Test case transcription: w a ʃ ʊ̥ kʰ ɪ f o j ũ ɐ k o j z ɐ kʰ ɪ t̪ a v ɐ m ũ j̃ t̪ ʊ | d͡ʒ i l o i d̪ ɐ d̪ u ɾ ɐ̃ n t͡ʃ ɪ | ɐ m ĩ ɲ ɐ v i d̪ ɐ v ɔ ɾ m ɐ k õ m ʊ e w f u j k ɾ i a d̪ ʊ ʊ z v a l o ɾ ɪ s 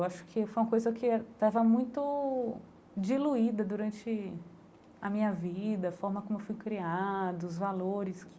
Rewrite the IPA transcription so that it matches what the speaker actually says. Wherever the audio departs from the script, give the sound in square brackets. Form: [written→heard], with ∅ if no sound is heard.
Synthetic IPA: w a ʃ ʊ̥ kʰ ɪ f o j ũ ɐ k o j z ɐ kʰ ɪ t̪ a v ɐ m ũ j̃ t̪ ʊ | d͡ʒ i l [o→u] i d̪ ɐ d̪ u ɾ ɐ̃ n t͡ʃ ɪ | ɐ m ĩ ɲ ɐ v i d̪ ɐ [v→f] ɔ ɾ m ɐ k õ m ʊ e w f u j k ɾ i a d̪ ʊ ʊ z v a l o ɾ ɪ s